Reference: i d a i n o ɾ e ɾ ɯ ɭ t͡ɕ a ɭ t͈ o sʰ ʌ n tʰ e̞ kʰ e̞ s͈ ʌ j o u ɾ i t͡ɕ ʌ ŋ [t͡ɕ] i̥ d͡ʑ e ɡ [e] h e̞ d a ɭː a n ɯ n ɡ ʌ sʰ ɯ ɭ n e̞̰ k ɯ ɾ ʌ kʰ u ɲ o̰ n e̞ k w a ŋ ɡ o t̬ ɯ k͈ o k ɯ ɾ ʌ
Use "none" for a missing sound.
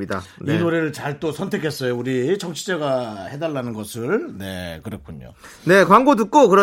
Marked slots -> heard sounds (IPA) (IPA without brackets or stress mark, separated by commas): t͡ɕʰ, a